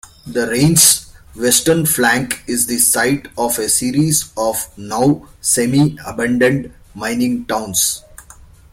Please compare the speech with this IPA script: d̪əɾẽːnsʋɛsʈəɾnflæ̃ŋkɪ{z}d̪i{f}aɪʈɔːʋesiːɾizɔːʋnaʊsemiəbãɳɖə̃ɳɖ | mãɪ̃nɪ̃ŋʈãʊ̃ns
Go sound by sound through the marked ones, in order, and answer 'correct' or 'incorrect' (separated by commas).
correct, incorrect